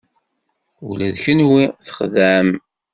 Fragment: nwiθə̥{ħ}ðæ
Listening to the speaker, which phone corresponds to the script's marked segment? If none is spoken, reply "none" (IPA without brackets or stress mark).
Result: χ